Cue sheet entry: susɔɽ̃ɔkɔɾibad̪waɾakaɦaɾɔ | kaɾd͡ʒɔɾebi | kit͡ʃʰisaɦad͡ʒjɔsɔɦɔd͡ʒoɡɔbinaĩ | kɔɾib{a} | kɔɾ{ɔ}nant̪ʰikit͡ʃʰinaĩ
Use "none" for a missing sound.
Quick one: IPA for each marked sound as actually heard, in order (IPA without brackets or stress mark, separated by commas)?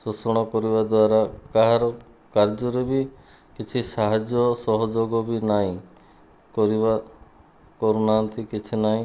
a, u